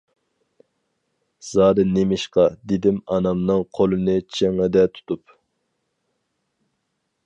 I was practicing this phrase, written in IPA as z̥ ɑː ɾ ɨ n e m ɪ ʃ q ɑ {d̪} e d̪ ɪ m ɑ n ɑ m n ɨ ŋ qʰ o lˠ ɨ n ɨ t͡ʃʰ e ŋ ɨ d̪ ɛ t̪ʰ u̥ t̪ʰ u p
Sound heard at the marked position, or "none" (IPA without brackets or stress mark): d̪